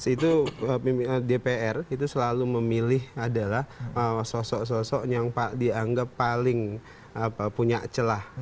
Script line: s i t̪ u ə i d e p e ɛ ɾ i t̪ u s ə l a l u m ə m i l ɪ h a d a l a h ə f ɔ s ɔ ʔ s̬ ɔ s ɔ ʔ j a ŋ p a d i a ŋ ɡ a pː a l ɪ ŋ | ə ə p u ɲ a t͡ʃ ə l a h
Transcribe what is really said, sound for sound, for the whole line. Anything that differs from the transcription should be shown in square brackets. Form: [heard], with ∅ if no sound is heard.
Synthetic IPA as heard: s i t̪ u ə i d e p e ɛ [r] i t̪ u s ə l a l u m ə m i l ɪ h a d a l a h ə [s] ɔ s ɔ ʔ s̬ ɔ s ɔ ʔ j a ŋ p a d i a ŋ ɡ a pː a l ɪ ŋ | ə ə p u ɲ a t͡ʃ ə l a h